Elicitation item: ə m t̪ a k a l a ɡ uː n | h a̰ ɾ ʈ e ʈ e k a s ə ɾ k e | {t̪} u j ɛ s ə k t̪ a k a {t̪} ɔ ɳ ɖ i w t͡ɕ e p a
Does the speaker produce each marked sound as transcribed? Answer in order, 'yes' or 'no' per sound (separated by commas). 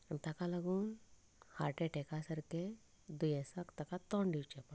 no, yes